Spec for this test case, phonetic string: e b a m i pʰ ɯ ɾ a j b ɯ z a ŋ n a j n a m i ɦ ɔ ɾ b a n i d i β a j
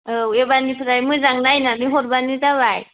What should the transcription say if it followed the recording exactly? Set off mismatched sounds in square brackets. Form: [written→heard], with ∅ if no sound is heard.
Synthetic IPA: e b a [m→n] i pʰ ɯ ɾ a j [b→m] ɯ z a ŋ n a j n a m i ɦ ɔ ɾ b a n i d [i→a] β a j